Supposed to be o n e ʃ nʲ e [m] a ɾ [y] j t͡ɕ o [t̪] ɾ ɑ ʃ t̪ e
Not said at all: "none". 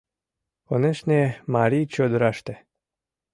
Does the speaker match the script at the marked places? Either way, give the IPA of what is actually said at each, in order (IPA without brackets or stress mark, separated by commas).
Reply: m, i, d̪